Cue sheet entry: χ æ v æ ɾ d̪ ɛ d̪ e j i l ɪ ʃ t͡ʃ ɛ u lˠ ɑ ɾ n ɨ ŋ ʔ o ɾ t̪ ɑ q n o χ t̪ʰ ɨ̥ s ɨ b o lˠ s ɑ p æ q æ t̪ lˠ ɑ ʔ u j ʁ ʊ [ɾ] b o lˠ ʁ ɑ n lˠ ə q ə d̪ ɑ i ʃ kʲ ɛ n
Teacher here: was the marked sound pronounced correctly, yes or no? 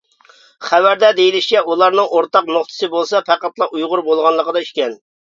yes